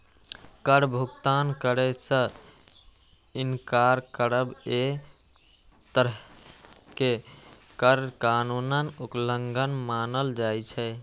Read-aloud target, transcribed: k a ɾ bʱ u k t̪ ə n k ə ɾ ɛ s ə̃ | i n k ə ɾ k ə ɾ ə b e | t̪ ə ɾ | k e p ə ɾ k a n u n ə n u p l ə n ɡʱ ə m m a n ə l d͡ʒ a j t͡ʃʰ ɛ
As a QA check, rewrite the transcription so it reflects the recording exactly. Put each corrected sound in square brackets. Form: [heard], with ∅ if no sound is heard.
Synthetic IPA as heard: k [ə] ɾ bʱ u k t̪ [a] n k ə ɾ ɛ s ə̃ | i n k [a] ɾ k ə ɾ ə b e | t̪ ə ɾ | k e [k] ə ɾ k a n u n ə n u p l ə [ŋ] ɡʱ ə [n] m a n ə l d͡ʒ a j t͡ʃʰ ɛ